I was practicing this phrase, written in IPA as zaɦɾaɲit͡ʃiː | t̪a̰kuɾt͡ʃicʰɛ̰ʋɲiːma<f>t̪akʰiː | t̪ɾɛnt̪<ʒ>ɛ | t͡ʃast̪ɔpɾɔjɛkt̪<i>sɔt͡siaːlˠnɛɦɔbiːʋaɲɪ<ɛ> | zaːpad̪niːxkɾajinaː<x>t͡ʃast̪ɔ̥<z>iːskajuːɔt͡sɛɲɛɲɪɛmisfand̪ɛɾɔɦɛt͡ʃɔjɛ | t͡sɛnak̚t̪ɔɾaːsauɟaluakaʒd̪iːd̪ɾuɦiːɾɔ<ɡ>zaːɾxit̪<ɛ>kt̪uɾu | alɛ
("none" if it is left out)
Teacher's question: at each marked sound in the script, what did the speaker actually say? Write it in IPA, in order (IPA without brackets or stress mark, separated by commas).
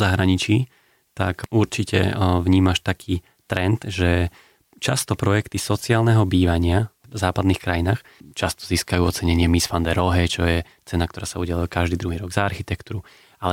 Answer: ʃ, ʒ, i, a, x, z, ɡ, ɛ